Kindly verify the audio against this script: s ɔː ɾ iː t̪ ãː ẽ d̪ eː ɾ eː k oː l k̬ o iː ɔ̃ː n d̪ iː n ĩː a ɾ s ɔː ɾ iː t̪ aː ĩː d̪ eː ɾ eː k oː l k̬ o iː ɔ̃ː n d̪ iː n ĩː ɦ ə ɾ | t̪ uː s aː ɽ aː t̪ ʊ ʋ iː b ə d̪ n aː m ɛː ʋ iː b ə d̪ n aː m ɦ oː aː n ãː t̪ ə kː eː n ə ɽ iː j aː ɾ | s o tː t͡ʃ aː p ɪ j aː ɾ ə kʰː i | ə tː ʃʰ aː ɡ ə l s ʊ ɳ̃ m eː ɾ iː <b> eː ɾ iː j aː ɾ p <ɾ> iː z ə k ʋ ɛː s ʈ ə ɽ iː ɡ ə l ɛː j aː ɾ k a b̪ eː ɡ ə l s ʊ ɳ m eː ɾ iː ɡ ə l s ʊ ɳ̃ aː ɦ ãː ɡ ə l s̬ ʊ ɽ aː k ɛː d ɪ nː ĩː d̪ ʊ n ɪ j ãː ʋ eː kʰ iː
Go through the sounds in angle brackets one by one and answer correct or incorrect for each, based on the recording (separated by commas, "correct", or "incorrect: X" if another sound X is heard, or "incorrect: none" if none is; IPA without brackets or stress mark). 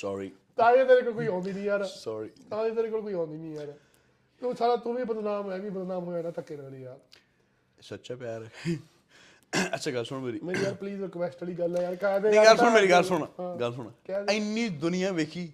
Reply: incorrect: m, incorrect: l